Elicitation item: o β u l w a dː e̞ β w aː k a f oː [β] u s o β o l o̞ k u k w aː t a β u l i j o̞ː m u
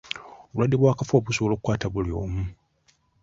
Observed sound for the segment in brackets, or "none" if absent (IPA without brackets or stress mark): β